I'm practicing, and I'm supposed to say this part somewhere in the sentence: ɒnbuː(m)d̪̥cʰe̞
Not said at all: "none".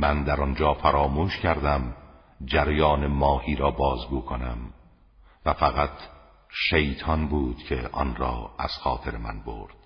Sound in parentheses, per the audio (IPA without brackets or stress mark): none